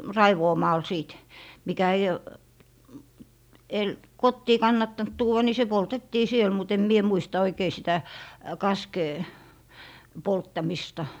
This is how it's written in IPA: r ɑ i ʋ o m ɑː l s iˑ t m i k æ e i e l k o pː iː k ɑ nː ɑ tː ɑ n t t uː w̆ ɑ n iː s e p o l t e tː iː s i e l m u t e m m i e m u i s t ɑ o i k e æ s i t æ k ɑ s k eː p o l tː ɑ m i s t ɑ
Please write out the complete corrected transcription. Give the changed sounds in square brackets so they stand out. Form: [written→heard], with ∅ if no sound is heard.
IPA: r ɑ i ʋ [o→oː] m ɑː l s iˑ t m i k æ e i e l k o [pː→tː] iː k ɑ nː ɑ tː ɑ n t t uː w̆ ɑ n [iː→i] s e p o l t e tː iː s i e l m u t e m m i e m u i s t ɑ o i k e [æ→i] s i t æ k ɑ s k eː p o l tː ɑ m i s t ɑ